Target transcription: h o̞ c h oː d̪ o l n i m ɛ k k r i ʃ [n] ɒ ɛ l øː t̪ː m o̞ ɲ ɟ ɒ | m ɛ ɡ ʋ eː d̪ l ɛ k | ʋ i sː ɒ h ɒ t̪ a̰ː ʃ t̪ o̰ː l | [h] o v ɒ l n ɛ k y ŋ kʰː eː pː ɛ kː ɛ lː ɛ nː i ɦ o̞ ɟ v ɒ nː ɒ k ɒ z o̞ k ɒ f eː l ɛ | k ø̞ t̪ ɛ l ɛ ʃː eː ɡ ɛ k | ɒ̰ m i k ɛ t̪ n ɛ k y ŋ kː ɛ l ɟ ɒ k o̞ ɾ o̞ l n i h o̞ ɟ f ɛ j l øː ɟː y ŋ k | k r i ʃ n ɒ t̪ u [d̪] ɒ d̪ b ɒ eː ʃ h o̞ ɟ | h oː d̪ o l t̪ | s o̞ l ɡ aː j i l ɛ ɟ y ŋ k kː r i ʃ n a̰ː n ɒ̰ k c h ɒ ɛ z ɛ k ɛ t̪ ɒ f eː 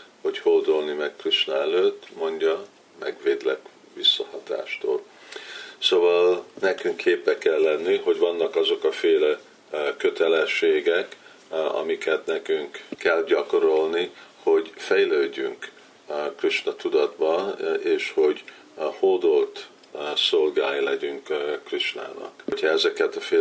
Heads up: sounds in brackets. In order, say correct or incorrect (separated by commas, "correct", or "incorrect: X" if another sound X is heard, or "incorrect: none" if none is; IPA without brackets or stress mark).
correct, incorrect: s, correct